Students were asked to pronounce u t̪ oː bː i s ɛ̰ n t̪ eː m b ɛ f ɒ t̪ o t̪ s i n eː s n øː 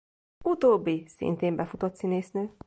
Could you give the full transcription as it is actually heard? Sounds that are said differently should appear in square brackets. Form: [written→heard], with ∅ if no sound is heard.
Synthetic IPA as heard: u t̪ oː bː i s [ɛ̰→ḭ] n t̪ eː m b ɛ f [ɒ→u] t̪ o t̪ s i n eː s n øː